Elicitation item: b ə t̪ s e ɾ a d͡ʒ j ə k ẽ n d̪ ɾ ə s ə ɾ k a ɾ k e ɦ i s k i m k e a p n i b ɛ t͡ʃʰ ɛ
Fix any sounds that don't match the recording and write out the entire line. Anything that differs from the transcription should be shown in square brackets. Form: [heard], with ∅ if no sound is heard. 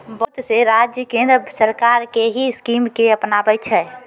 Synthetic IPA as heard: b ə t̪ s e ɾ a d͡ʒ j ə k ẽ n d̪ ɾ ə s ə ɾ k a ɾ k e ɦ i s k i m k e [ə] p n [a] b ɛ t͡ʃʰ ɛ